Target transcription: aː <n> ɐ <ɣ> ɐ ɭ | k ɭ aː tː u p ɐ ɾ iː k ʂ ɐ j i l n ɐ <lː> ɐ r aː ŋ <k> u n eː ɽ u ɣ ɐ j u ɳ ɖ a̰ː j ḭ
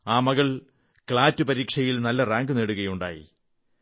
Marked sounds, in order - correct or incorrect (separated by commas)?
incorrect, correct, correct, incorrect